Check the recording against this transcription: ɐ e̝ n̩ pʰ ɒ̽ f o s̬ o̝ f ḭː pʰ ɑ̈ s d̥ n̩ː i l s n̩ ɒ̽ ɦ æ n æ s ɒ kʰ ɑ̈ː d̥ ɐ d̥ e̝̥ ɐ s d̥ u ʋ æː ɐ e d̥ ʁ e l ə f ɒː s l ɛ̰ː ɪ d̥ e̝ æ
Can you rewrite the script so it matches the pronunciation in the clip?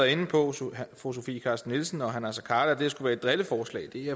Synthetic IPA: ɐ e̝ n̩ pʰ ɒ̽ f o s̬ o̝ f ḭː kʰ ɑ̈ s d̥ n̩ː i l s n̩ ɒ̽ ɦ æ n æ s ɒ kʰ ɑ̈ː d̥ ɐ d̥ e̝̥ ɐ s ɡ̥ u ʋ æː ɐ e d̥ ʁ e l ə f ɒː s l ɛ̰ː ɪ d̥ e̝ æ